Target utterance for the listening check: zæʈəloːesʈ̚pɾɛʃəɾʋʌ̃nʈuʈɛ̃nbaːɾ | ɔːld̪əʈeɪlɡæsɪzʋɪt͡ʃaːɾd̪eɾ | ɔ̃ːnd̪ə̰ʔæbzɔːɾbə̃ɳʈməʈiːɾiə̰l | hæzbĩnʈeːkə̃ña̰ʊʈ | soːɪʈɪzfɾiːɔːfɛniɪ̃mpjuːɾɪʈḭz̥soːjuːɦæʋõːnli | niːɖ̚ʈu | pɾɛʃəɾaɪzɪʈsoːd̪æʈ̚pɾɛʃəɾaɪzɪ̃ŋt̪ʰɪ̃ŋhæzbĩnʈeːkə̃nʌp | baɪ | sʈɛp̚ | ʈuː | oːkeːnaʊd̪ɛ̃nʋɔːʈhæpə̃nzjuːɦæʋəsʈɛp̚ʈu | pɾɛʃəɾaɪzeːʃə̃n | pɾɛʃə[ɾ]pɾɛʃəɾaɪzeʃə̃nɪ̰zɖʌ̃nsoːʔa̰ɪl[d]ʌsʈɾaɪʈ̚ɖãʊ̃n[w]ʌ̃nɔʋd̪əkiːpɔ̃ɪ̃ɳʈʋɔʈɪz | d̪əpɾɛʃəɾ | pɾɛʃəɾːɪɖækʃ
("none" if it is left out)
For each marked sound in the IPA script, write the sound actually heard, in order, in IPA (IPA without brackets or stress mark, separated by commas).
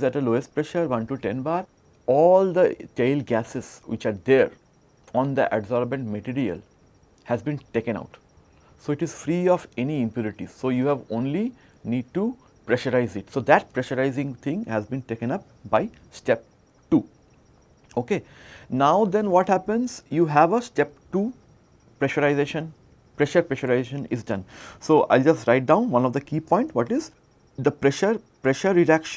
ɾ, d͡ʒ, ʋ